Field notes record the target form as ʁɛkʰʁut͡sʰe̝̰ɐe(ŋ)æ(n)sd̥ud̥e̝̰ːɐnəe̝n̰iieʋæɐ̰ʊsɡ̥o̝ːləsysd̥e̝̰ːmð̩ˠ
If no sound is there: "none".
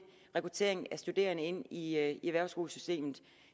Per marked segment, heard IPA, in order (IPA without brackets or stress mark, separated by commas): ŋ, none